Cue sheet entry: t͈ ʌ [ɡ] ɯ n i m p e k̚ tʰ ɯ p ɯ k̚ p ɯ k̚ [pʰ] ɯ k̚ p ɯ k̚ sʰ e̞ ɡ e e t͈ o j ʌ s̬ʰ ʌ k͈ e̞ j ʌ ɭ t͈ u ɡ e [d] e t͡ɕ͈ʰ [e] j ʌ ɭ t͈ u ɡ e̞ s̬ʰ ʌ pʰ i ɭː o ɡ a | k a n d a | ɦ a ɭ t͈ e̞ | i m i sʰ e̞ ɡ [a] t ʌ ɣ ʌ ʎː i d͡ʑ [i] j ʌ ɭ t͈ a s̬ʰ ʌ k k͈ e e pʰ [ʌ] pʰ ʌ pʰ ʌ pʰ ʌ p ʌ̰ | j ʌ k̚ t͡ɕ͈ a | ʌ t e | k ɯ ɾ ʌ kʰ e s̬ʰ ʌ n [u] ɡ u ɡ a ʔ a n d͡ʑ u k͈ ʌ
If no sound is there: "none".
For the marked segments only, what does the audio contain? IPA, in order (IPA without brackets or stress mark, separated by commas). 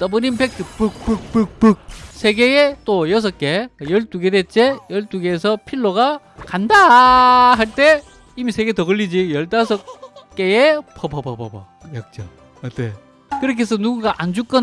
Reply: b, p, d, e, e, i, ʌ, u